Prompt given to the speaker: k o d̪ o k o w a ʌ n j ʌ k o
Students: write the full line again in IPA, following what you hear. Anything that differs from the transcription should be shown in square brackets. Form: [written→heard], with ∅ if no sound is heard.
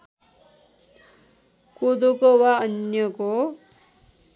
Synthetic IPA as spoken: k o d̪ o k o w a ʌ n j ʌ k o

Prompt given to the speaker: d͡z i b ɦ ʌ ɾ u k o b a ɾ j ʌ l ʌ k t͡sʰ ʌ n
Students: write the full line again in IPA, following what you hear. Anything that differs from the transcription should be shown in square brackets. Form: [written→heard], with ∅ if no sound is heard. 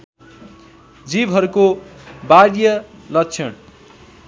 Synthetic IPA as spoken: d͡z i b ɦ ʌ ɾ u k o b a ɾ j ʌ l ʌ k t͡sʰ ʌ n

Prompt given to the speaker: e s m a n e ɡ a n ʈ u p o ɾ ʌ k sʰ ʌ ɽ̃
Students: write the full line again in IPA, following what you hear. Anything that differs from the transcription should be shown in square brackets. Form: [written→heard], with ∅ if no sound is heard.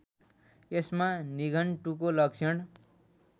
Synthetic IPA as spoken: e s m a n [e→i] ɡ [a→ʌ] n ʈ u [p→k] o [ɾ→l] ʌ k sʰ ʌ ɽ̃

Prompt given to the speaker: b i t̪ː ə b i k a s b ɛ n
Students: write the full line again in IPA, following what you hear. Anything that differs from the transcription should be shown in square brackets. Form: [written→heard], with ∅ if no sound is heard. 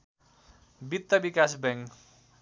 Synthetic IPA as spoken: b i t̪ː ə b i k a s b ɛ [n→ŋ]

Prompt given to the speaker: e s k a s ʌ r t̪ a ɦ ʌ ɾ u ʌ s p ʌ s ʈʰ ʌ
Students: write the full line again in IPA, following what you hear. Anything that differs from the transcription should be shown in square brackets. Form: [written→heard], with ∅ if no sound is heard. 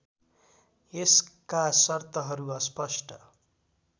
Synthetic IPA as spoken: e s k a s ʌ r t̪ [a→ʌ] ɦ ʌ ɾ u ʌ s p ʌ s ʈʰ ʌ

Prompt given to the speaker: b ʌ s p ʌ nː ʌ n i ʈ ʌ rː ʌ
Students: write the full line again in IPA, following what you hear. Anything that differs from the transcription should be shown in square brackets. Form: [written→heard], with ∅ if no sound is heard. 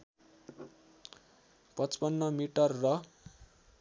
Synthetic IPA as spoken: [b→p] ʌ [s→t͡s] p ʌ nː ʌ [n→m] i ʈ ʌ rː ʌ

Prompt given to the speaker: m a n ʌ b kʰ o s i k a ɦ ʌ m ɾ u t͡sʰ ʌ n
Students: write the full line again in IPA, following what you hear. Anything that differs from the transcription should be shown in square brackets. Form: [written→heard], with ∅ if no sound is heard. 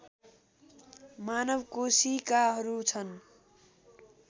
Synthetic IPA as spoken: m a n ʌ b [kʰ→k] o s i k a ɦ ʌ [m→∅] ɾ u t͡sʰ ʌ n

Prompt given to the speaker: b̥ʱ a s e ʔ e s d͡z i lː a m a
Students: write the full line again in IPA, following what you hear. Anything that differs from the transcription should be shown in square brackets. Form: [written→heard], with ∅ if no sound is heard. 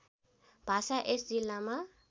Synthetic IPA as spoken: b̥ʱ a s [e→a] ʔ e s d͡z i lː a m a

